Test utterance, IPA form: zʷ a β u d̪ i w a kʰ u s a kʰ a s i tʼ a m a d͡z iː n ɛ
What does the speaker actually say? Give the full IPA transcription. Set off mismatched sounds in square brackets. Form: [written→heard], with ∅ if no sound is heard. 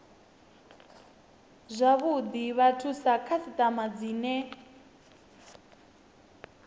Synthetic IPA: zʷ a β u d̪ i [w→β] a [kʰ→tʰ] u s a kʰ a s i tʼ a m a d͡z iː n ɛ